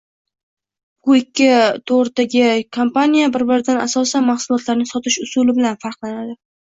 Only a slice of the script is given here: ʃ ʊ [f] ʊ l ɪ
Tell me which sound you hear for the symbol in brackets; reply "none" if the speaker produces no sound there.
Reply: s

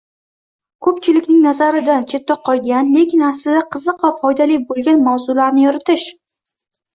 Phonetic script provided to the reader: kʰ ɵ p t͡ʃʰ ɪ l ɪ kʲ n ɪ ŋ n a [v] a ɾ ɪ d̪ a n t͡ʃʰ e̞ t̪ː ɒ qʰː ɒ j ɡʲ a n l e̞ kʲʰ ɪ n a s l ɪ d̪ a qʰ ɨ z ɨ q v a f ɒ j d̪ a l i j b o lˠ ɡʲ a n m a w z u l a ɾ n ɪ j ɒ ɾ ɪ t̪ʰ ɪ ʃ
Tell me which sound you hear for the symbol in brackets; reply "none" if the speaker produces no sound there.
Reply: z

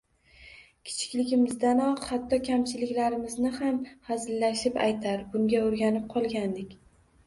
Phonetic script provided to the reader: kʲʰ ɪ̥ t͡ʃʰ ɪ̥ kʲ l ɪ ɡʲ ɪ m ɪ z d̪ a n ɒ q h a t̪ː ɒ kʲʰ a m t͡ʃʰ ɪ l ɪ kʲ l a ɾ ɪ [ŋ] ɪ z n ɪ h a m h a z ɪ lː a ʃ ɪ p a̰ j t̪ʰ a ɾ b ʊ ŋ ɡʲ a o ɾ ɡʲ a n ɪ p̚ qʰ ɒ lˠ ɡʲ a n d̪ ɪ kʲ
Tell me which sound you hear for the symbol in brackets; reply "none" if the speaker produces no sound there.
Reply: m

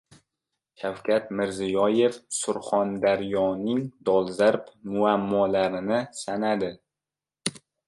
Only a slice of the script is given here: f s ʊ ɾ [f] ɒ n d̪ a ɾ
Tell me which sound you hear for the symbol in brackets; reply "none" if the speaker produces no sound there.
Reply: χ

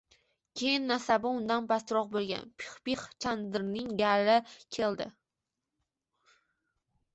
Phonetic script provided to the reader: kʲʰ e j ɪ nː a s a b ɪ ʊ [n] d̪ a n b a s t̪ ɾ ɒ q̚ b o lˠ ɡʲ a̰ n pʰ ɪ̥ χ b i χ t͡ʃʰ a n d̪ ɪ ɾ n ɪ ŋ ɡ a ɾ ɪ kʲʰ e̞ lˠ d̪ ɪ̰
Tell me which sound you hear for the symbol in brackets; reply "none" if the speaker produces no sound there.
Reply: n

